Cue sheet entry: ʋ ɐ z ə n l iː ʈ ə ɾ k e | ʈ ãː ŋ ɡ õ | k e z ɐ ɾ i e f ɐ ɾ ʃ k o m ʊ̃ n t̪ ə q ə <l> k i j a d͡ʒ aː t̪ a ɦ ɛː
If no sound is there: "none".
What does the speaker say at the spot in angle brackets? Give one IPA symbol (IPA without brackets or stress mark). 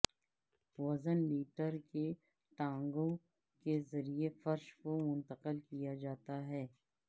l